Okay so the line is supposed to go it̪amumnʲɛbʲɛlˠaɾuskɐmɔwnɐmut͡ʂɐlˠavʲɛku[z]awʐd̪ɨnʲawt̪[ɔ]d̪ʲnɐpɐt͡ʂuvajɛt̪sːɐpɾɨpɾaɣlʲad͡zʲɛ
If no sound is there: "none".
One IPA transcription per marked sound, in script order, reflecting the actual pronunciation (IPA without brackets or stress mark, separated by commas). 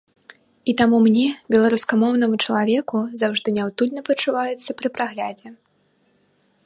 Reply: z, u